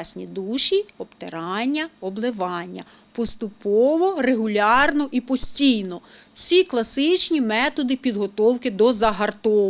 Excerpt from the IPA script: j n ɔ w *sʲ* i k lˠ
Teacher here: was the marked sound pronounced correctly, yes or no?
yes